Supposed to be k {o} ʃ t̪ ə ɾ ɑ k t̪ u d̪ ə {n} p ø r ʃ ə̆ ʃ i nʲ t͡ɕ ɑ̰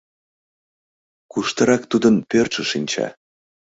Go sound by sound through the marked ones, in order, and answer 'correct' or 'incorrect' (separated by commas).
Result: incorrect, correct